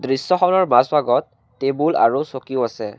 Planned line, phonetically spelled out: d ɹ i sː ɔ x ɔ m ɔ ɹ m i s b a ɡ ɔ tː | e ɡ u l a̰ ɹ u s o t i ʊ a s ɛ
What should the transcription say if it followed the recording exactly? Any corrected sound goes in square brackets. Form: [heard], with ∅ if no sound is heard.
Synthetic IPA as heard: d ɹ i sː ɔ x ɔ [n] ɔ ɹ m [a] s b a ɡ ɔ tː | e [b] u l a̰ ɹ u s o [k] i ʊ a s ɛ